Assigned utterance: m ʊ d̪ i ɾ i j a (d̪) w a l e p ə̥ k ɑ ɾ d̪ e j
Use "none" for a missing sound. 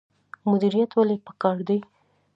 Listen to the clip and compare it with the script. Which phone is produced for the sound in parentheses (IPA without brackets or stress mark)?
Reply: t̪